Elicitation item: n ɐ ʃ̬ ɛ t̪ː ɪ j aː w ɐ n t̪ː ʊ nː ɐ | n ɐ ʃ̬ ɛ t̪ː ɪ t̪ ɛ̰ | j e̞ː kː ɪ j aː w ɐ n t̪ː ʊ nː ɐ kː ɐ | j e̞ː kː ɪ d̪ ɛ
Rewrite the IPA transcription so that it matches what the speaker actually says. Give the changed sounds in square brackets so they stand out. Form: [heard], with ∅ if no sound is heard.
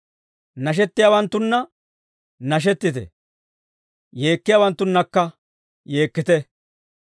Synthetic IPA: n ɐ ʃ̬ ɛ t̪ː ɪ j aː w ɐ n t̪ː ʊ nː ɐ | n ɐ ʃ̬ ɛ t̪ː ɪ t̪ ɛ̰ | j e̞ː kː ɪ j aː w ɐ n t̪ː ʊ nː ɐ kː ɐ | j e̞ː kː ɪ [t̪] ɛ